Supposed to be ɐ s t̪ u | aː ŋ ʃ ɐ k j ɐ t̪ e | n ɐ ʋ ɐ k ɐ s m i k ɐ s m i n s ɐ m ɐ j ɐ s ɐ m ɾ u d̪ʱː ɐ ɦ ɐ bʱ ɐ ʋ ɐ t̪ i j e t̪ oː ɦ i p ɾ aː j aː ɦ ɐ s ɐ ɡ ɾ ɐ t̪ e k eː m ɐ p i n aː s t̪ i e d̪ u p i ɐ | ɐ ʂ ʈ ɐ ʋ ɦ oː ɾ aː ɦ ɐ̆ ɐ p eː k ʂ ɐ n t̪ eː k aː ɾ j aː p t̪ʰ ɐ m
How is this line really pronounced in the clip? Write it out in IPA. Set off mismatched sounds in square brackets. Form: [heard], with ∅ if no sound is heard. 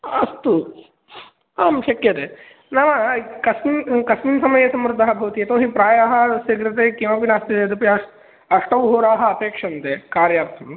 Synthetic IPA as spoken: ɐ s t̪ u | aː [m] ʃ ɐ k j ɐ t̪ e | n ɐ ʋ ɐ k ɐ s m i k ɐ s m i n s ɐ m ɐ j ɐ s ɐ m ɾ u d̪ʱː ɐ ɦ ɐ bʱ ɐ ʋ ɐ t̪ i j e t̪ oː ɦ i p ɾ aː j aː ɦ ɐ s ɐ ɡ ɾ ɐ t̪ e k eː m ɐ p i n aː s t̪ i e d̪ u p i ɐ | ɐ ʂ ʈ ɐ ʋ ɦ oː ɾ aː ɦ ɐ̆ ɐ p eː k ʂ ɐ n t̪ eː k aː ɾ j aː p t̪ʰ ɐ m